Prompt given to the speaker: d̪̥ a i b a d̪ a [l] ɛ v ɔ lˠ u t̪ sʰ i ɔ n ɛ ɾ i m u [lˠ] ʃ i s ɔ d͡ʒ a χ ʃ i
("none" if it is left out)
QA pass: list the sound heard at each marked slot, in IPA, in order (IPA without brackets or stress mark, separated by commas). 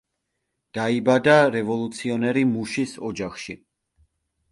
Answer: ɾ, none